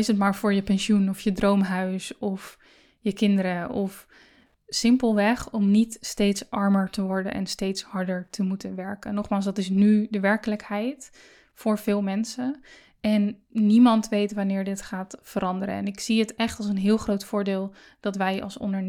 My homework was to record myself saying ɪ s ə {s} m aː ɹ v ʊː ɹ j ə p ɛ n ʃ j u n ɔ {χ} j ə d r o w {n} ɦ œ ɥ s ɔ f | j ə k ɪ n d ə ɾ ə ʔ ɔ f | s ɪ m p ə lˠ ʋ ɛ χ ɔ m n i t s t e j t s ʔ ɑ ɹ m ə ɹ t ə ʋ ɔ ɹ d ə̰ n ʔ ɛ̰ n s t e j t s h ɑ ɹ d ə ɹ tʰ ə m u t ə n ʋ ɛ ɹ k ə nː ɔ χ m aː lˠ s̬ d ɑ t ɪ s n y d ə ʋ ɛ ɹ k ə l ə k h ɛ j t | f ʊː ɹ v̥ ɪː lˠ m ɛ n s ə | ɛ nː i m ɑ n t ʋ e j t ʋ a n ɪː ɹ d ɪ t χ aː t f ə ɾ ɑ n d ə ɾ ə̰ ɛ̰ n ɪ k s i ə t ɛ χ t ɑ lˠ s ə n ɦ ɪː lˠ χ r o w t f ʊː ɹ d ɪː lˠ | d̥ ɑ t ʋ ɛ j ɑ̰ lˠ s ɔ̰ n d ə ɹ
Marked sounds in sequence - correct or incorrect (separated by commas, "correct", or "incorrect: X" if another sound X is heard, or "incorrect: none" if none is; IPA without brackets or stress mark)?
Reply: incorrect: t, incorrect: f, incorrect: m